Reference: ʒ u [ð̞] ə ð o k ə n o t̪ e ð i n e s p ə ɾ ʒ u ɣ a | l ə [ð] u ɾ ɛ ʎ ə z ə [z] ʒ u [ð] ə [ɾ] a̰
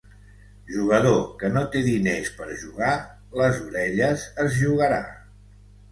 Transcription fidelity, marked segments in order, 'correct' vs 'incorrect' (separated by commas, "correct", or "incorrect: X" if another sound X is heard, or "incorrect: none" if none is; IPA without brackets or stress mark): incorrect: ɣ̞, incorrect: z, correct, incorrect: ɣ, correct